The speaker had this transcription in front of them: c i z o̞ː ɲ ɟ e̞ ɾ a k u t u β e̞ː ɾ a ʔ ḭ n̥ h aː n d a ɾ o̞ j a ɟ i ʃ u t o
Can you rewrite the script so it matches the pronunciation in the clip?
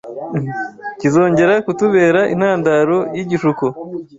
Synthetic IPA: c i z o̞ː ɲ ɟ e̞ ɾ a k u t u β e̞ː ɾ a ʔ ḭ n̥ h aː n d a ɾ o̞ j i ɟ i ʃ u k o